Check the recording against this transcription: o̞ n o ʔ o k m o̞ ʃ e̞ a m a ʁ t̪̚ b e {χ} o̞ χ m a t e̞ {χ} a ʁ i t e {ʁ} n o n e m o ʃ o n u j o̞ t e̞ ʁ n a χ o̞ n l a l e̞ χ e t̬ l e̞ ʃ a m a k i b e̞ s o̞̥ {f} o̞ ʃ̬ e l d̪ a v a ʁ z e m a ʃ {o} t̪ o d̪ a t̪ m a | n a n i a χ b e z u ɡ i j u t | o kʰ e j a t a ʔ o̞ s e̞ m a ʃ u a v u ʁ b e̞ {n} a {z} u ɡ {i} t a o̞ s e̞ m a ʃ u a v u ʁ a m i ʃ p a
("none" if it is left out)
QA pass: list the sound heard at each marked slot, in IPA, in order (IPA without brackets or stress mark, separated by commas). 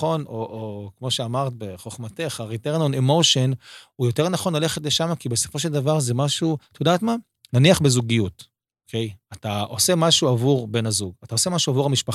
χ, χ, ʁ, f, u, n, z, a